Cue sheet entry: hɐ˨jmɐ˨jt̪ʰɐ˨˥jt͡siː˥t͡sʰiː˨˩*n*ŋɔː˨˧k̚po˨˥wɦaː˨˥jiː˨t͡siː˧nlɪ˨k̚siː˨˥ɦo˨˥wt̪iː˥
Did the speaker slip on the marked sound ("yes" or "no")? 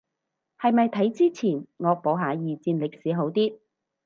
no